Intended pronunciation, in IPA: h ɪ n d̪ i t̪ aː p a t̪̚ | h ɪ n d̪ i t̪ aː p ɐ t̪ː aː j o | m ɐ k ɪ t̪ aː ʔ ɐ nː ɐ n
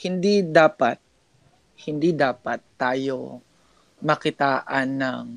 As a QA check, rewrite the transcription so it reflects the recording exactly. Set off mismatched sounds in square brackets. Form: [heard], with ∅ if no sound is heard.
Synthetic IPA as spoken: h ɪ n d̪ i [d̪] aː p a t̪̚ | h ɪ n d̪ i [d̪] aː p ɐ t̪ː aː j o | m ɐ k ɪ t̪ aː ʔ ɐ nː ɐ [ŋ]